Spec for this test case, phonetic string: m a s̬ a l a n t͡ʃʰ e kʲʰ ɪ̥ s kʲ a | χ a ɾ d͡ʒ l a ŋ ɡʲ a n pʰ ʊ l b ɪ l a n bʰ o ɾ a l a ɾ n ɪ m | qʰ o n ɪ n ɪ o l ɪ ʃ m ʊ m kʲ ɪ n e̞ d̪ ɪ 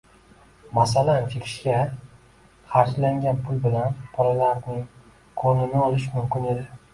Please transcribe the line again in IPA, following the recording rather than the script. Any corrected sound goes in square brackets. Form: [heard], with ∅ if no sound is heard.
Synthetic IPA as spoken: m a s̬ a l a n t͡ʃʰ e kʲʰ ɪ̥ [ʃ] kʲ a | χ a ɾ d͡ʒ l a ŋ ɡʲ a n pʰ ʊ l b ɪ l a n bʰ [ɒ] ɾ a l a ɾ n ɪ [ŋ] | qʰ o n ɪ n ɪ [ɒ] l ɪ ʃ m ʊ m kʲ ɪ n e̞ d̪ ɪ